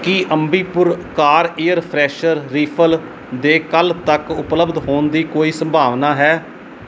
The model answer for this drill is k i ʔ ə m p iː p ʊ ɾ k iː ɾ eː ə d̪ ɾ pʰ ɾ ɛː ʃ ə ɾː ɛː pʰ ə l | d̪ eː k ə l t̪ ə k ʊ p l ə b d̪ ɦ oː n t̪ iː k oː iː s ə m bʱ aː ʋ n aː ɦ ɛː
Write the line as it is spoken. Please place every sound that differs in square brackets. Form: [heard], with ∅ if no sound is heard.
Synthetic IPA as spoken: k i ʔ ə m [b] iː p ʊ ɾ k [aː] ɾ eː ə [∅] ɾ pʰ ɾ ɛː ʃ ə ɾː [iː] pʰ ə l | d̪ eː k ə l t̪ ə k ʊ p l ə b d̪ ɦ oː n [d̪] iː k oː iː s ə m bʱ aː ʋ n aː ɦ ɛː